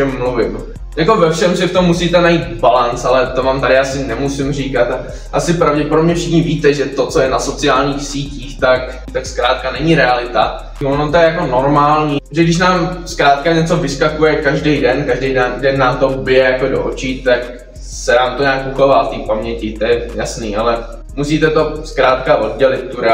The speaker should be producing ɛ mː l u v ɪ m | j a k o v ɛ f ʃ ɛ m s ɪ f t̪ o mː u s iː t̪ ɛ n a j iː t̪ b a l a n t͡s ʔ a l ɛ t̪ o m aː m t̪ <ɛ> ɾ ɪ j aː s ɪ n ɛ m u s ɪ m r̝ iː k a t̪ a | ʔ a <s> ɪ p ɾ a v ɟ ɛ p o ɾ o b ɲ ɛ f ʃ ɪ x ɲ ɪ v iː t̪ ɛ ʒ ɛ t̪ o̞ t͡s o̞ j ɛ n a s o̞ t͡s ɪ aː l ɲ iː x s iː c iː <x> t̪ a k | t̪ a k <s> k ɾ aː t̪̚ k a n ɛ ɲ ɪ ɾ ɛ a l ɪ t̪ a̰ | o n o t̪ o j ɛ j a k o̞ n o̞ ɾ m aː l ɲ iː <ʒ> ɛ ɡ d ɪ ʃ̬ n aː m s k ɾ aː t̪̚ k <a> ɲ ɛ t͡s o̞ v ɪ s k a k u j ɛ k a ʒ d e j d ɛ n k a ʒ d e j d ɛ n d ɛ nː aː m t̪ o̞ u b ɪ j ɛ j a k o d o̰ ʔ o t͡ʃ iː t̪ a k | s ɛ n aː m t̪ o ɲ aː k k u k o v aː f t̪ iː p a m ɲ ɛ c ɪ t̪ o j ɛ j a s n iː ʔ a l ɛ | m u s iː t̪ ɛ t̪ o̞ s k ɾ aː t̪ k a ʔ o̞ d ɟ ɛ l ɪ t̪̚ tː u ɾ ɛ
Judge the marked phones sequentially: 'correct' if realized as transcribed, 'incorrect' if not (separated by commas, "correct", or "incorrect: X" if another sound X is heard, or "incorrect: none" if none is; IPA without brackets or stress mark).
incorrect: a, correct, correct, correct, correct, correct